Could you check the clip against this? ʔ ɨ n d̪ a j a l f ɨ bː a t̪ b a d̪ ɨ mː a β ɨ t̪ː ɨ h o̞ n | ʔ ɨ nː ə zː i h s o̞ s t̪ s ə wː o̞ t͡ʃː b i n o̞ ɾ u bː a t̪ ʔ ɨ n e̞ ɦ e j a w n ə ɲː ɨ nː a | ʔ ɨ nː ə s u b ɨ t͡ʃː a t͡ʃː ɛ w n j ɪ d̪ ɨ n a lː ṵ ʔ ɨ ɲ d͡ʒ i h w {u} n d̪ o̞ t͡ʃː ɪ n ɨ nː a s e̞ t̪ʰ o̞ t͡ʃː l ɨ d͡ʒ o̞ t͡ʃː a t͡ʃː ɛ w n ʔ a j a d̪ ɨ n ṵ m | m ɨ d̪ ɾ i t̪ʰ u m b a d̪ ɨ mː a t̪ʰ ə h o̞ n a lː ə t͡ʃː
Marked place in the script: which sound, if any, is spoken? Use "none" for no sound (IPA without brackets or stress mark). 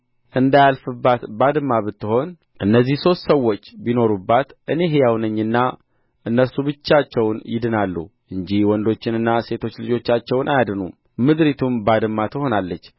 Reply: ɔ